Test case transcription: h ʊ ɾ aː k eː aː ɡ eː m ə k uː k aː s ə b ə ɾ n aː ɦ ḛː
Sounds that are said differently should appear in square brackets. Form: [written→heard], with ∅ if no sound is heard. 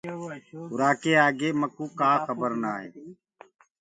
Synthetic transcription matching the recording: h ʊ ɾ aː k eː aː ɡ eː m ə k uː k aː [s→x] ə b ə ɾ n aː ɦ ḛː